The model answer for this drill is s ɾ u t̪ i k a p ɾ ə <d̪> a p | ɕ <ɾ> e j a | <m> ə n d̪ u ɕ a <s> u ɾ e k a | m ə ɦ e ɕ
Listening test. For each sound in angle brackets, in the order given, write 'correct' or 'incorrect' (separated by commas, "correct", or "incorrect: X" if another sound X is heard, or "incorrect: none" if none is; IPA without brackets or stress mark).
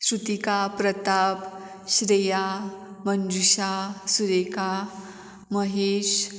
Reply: incorrect: t̪, correct, correct, correct